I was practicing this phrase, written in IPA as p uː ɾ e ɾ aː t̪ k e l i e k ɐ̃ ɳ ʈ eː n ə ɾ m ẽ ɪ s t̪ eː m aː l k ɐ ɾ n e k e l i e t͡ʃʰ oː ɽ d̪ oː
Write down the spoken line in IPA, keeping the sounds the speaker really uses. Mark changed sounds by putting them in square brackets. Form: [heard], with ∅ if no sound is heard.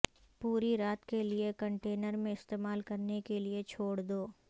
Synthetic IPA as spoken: p uː ɾ [i] ɾ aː t̪ k e l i e k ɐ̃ ɳ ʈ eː n ə ɾ m ẽ ɪ s t̪ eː m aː l k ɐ ɾ n e k e l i e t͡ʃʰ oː ɽ d̪ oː